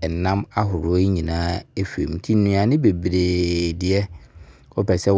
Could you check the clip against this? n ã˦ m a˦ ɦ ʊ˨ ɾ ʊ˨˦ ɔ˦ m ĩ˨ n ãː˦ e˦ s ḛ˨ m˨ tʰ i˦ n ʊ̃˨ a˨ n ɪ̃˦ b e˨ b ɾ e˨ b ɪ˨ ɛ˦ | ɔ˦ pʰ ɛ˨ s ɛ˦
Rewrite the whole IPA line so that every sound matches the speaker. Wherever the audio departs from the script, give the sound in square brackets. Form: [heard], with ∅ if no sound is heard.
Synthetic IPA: n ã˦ m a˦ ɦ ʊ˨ ɾ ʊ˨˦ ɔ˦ [ɲ] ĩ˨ n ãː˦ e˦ [f] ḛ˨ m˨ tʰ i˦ n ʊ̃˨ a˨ n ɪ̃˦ b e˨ b ɾ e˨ [d] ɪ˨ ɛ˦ | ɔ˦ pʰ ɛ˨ s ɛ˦